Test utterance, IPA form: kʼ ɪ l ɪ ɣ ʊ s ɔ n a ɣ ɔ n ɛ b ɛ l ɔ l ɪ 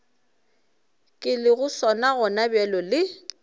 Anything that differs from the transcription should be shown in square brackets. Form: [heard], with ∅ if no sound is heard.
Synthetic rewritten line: kʼ ɪ l ɪ ɣ ʊ s ɔ n a ɣ ɔ n [a] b ɛ l ɔ l ɪ

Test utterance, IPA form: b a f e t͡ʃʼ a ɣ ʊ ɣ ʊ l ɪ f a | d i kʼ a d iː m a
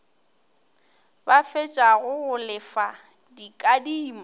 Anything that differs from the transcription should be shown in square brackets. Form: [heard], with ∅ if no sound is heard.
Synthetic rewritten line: b a f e t͡ʃʼ a ɣ ʊ ɣ ʊ l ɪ f a | d i kʼ a d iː m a

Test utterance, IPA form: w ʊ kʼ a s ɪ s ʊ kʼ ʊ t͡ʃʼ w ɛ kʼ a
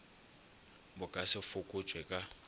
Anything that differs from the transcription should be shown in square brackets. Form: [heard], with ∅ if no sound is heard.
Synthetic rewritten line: [b] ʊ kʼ a s ɪ [f] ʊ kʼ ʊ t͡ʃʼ w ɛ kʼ a

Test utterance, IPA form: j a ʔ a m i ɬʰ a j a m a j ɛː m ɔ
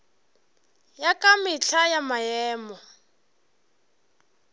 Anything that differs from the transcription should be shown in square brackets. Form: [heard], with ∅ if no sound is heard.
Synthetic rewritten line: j a [k] a m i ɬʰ a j a m a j ɛː m ɔ

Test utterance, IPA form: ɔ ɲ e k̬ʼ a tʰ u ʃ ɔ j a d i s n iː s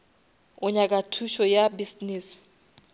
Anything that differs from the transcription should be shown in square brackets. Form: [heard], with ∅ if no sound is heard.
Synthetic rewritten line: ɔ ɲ [a] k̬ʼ a tʰ u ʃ ɔ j a [b] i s n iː s

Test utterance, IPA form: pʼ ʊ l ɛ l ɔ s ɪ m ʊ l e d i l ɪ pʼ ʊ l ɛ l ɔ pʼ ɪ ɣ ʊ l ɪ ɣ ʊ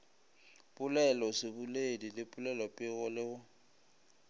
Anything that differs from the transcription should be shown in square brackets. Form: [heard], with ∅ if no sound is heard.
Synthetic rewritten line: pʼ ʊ l ɛ l ɔ s ɪ [b] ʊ l e d i l ɪ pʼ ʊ l ɛ l ɔ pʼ ɪ ɣ ʊ l ɪ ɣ ʊ

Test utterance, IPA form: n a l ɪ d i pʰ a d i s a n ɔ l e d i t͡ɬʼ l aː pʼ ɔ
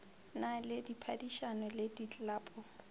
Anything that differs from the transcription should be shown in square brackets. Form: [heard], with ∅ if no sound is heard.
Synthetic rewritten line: n a l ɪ d i pʰ a d i [ʃ] a n ɔ l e d i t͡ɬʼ l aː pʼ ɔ

